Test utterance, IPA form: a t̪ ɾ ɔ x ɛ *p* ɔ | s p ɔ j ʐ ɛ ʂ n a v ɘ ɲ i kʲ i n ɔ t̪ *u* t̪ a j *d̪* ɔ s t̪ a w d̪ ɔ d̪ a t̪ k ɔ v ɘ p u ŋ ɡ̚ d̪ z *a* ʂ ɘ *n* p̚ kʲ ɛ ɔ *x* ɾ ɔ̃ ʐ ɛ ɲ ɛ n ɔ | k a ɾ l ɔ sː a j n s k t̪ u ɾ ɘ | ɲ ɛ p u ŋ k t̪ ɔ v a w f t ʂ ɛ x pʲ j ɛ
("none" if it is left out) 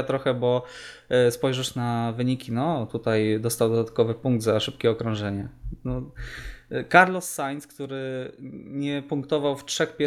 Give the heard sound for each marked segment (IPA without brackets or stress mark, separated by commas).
b, u, d̪, a, none, k